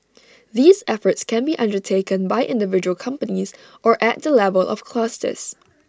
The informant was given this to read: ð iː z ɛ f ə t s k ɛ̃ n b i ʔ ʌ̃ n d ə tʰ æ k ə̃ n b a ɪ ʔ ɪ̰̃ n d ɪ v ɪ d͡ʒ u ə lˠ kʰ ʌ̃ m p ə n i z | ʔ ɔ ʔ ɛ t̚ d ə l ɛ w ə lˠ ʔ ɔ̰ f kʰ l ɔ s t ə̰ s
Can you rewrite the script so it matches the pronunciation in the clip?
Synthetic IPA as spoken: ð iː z ɛ f ə t s k ɛ̃ n b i ʔ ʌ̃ n d ə tʰ e k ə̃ n b a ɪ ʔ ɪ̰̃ n d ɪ v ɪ d͡ʒ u ə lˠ kʰ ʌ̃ m p ə n i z | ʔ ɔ ʔ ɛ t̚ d ə l ɛ v ə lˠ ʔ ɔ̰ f kʰ l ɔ s t ə̰ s